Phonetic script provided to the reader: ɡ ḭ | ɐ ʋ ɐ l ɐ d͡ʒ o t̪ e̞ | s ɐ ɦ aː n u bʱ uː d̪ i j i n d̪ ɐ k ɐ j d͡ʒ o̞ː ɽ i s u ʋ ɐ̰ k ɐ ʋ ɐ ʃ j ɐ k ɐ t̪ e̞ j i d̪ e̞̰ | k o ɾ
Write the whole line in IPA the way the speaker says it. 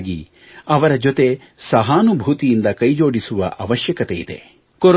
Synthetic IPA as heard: ɡ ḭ | ɐ ʋ ɐ ɾ ɐ d͡ʒ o t̪ e̞ | s ɐ ɦ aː n u bʱ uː t̪ i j i n d̪ ɐ k ɐ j d͡ʒ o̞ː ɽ i s u ʋ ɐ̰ ʔ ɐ ʋ ɐ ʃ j ɐ k ɐ t̪ e̞ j i d̪ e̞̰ | k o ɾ